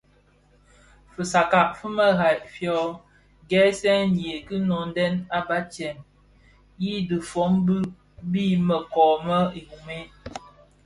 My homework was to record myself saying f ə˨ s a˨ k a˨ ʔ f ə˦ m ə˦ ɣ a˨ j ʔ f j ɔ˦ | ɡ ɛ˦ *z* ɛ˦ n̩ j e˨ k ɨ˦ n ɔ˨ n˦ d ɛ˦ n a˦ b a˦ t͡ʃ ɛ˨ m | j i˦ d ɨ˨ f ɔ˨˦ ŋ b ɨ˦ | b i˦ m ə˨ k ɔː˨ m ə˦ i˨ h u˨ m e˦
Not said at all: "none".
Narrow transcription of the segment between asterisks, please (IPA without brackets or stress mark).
s